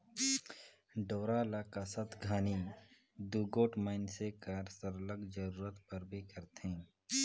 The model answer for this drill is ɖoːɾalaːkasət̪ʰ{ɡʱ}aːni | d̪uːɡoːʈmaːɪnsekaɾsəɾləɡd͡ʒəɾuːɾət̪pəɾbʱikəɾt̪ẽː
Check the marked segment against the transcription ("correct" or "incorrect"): correct